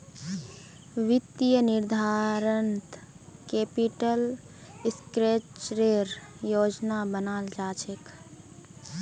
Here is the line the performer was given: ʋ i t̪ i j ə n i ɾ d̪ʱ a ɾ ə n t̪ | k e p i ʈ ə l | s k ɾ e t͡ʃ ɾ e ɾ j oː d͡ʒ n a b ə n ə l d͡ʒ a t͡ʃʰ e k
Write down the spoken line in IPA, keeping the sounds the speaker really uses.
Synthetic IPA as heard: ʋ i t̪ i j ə n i ɾ d̪ʱ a ɾ ə n t̪ | k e p i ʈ ə l | s k ɾ e t͡ʃ ɾ e ɾ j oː d͡ʒ n a b ə n a l d͡ʒ a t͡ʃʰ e k